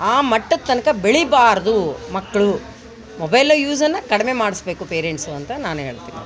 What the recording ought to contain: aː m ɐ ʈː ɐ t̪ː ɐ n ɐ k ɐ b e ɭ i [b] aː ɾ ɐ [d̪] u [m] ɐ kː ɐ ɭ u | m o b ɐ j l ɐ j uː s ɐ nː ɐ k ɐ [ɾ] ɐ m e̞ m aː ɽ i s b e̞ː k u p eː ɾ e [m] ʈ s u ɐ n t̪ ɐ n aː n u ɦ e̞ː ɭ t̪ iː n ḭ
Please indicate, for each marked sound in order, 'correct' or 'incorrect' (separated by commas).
correct, correct, correct, incorrect, incorrect